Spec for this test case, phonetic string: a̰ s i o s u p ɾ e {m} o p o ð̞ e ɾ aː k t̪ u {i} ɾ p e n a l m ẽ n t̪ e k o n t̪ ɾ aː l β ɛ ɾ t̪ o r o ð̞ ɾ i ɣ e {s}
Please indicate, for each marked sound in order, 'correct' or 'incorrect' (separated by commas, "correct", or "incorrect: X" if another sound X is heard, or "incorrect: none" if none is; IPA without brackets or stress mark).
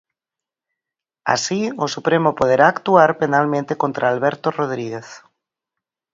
correct, incorrect: a, incorrect: θ